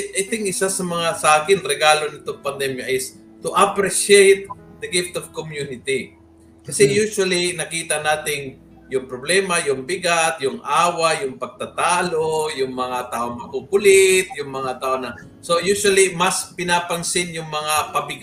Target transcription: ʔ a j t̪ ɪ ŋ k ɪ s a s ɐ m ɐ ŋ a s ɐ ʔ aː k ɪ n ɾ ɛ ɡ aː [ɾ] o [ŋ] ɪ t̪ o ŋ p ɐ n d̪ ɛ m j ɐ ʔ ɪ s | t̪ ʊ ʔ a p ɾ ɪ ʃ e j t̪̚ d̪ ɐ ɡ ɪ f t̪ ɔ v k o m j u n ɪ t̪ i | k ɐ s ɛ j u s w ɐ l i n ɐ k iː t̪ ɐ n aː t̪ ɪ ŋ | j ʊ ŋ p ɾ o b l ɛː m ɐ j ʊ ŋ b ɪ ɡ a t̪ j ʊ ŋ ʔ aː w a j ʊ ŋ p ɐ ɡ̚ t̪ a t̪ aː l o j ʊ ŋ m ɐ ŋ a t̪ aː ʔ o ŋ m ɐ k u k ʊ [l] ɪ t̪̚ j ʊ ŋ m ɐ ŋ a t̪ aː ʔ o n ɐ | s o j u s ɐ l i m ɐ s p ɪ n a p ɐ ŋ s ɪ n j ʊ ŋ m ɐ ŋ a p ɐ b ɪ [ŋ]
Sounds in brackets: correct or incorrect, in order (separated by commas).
incorrect, incorrect, correct, incorrect